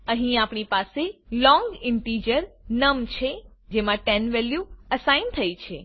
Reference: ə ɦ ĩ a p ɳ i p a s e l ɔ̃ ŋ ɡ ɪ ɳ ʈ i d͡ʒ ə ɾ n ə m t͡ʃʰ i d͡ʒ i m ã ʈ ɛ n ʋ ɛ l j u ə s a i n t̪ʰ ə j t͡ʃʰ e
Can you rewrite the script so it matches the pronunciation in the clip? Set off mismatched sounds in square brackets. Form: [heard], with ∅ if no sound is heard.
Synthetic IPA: ə ɦ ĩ a p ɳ i p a s e l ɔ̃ ŋ ɡ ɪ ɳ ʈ i d͡ʒ ə ɾ n ə m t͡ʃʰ [e] d͡ʒ [e] m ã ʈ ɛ n ʋ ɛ l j u ə s a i n t̪ʰ ə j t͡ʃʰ e